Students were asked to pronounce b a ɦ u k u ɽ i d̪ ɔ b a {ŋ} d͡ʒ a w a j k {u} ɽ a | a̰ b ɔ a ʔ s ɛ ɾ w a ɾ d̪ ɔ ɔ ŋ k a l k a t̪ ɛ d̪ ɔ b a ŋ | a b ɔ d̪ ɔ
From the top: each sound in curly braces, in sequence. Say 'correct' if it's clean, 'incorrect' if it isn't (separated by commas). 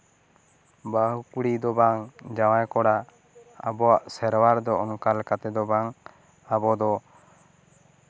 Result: correct, incorrect